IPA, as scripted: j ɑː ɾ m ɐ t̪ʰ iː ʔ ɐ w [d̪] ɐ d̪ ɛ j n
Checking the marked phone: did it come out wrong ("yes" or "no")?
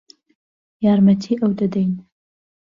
no